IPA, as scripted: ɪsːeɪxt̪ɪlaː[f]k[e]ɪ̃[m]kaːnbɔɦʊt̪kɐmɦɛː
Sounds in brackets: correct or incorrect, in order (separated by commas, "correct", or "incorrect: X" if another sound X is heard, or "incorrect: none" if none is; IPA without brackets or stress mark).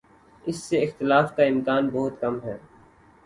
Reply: correct, incorrect: a, correct